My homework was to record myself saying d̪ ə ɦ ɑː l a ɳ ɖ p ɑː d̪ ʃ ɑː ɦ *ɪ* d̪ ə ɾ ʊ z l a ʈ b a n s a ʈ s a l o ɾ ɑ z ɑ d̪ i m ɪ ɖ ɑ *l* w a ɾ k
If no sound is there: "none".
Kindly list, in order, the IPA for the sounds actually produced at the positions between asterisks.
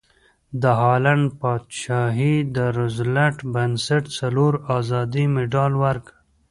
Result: i, l

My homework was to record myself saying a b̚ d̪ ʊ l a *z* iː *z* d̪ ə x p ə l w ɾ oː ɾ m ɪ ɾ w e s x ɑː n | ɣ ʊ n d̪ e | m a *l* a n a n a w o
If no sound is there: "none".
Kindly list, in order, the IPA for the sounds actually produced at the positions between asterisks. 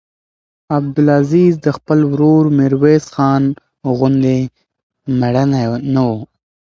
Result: z, z, ɽ

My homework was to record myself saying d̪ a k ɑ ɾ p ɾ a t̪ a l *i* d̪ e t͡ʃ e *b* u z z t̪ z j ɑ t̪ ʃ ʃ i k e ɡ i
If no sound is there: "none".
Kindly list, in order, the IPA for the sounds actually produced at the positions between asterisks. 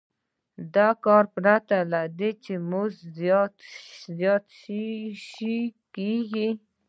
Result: a, m

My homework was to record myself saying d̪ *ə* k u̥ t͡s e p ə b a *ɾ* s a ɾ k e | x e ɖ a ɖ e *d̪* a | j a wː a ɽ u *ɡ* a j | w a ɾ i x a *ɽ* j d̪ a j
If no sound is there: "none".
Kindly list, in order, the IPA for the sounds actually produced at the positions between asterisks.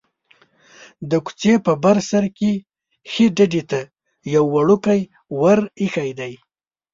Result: ə, ɾ, t̪, k, none

